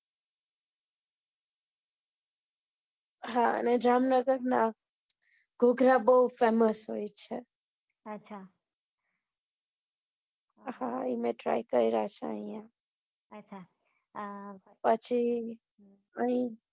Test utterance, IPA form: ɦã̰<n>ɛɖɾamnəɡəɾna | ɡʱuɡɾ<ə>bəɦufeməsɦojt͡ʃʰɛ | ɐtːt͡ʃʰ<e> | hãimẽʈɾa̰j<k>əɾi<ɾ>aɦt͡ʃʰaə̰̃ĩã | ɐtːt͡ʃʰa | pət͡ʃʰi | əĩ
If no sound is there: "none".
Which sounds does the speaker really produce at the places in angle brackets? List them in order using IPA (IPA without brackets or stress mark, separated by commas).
n, a, a, k, ɾ